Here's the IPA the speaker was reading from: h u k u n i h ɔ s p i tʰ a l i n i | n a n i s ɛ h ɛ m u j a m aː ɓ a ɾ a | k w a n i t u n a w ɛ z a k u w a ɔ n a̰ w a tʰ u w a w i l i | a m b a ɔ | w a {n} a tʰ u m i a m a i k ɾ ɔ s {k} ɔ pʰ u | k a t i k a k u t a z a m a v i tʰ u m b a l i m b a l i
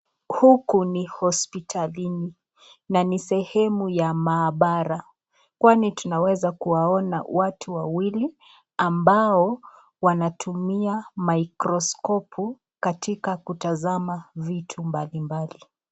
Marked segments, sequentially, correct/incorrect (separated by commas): correct, correct